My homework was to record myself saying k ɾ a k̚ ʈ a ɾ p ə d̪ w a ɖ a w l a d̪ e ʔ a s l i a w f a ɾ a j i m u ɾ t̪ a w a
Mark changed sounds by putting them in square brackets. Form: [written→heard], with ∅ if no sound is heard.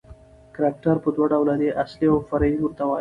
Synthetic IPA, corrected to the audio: k ɾ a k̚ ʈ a ɾ p ə d̪ w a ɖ a w l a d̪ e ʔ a s l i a w f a ɾ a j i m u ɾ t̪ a w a